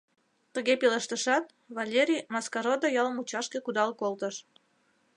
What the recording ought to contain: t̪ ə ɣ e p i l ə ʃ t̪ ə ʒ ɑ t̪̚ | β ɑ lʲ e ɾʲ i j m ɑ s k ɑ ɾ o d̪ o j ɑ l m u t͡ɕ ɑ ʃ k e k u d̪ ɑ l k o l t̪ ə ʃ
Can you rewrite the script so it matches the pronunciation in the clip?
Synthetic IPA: t̪ ə ɣ e p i l ə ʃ t̪ ə ʃ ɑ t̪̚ | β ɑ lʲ e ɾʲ i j m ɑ s k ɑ ɾ o d̪ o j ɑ l m u t͡ɕ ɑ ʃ k e k u d̪ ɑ l k o l t̪ ə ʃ